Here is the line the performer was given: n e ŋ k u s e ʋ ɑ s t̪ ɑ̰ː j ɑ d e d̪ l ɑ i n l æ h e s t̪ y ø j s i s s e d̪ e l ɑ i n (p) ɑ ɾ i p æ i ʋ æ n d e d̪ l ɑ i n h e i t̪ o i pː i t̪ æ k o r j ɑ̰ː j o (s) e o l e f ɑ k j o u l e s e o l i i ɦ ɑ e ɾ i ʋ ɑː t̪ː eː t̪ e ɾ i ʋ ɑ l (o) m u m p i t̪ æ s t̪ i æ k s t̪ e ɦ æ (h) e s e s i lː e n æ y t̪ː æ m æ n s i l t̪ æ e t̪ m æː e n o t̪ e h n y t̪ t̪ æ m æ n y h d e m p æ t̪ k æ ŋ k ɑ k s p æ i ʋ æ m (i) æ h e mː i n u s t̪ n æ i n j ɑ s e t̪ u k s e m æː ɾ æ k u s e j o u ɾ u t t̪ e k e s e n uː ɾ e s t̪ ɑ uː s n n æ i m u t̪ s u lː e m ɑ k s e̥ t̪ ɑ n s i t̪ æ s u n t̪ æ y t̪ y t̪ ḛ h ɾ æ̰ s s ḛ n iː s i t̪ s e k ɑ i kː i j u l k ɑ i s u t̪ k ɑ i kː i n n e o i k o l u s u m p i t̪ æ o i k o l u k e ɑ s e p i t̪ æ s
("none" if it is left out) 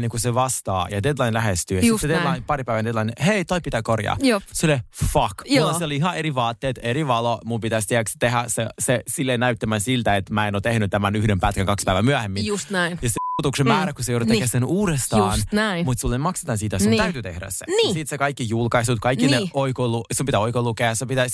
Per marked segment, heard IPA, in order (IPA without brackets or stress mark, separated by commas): p, s, o, s, y